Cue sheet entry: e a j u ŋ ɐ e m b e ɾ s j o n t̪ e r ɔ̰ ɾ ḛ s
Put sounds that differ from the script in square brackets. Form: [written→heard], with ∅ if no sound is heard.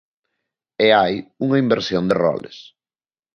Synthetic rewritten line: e a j u ŋ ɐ [e→i] m b e ɾ s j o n [t̪→d̪] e r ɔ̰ [ɾ→l] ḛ s